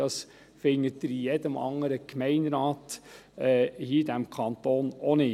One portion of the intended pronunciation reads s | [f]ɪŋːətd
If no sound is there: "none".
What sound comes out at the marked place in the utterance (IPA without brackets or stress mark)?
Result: f